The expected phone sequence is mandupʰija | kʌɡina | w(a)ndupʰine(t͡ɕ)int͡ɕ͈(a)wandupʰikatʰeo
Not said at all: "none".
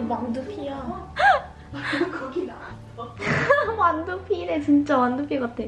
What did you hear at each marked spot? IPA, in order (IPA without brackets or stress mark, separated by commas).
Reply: a, t͡ɕ, a